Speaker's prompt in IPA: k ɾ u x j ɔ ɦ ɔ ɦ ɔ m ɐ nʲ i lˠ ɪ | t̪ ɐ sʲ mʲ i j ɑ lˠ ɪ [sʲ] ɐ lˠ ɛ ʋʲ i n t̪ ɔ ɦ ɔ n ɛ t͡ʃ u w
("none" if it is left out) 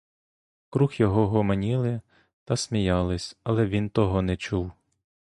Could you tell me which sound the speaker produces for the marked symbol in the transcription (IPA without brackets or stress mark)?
sʲ